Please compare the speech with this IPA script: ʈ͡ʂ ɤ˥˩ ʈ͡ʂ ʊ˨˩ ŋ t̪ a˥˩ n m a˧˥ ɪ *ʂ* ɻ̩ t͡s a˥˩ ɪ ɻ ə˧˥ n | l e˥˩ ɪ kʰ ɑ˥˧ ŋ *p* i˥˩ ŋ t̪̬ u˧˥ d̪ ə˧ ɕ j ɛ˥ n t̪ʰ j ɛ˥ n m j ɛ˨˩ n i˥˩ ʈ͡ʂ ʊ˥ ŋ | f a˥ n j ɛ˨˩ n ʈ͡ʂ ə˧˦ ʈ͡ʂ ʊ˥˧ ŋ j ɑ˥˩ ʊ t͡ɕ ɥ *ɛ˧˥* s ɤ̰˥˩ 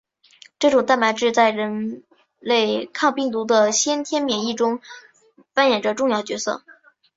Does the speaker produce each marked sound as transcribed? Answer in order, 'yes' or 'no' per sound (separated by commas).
no, yes, yes